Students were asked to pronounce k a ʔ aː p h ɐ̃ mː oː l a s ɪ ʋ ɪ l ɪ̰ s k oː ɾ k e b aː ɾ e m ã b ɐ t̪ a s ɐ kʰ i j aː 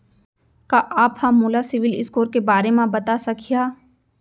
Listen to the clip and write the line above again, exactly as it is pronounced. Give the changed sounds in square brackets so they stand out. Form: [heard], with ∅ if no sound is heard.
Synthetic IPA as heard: k a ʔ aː p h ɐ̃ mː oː l a s ɪ ʋ ɪ l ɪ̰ s k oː ɾ k e b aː ɾ e m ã b ɐ t̪ a s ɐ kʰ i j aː